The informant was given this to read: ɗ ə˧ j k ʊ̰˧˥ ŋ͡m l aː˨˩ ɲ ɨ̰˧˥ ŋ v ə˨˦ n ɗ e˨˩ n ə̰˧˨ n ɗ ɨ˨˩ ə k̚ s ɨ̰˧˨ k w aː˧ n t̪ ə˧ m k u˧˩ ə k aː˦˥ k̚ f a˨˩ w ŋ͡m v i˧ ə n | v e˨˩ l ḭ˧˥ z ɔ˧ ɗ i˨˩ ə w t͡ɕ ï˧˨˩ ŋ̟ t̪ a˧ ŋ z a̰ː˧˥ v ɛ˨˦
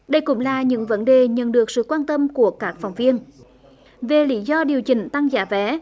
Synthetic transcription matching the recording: ɗ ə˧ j k ʊ̰˧˥ ŋ͡m l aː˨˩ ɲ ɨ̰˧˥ ŋ v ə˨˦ n ɗ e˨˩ ɲ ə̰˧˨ n ɗ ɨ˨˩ ə k̚ s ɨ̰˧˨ k w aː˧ n t̪ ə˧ m k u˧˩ ə k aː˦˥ k̚ f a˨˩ w ŋ͡m v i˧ ə n | v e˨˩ l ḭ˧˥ z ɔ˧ ɗ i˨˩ ə w t͡ɕ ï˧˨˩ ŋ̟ t̪ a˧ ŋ z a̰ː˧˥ v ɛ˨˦